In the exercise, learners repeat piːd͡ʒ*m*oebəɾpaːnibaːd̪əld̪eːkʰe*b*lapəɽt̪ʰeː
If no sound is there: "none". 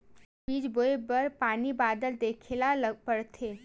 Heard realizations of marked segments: b, none

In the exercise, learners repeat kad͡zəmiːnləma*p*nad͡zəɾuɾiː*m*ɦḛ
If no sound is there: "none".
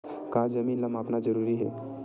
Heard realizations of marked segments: p, none

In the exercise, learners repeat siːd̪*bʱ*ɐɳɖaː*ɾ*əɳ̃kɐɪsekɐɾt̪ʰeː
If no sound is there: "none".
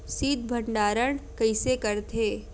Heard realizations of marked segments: bʱ, ɾ

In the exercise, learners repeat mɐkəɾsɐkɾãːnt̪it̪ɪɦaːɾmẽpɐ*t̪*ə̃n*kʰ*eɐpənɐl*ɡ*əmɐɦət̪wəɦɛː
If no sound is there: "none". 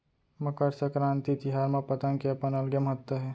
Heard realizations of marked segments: t̪, k, ɡ

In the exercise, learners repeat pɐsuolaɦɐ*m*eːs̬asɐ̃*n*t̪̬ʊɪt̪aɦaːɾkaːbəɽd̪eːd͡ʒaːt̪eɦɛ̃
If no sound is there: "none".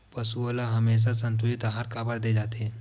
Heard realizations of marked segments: m, n

